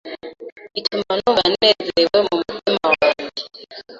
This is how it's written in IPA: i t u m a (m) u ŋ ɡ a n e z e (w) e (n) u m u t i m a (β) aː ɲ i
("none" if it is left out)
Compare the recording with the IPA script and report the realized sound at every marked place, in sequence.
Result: n, w, m, w

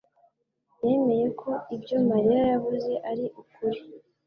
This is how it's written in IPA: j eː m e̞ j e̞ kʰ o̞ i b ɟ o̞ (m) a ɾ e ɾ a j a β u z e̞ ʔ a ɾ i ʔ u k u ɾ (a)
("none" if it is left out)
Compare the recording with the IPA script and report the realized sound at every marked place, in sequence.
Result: m, i

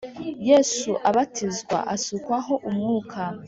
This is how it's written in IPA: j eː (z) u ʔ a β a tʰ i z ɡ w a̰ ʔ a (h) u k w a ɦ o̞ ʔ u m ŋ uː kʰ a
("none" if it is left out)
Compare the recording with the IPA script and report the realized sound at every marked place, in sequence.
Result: s, s

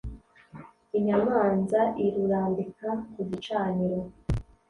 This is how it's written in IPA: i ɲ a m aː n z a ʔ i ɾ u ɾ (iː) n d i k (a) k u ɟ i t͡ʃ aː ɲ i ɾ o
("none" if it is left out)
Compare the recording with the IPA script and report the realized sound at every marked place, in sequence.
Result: aː, a

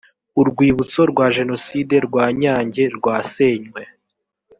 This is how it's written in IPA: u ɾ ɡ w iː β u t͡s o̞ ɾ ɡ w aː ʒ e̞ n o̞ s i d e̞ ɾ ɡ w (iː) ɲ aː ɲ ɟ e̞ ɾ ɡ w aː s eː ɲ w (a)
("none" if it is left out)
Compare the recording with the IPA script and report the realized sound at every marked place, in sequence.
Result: aː, e

